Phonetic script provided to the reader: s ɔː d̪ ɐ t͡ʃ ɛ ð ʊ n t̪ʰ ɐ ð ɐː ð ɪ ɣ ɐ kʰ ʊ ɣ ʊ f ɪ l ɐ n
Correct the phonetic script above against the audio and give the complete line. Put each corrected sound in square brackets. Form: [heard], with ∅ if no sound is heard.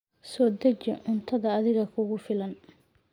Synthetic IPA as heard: s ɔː d̪ ɐ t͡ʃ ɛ [ʕ] ʊ n t̪ʰ ɐ ð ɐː ð ɪ ɣ ɐ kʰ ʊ ɣ ʊ f ɪ l ɐ n